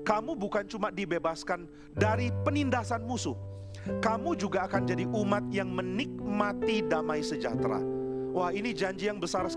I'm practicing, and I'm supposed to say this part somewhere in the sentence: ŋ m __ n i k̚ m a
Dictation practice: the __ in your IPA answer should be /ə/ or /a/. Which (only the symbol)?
ə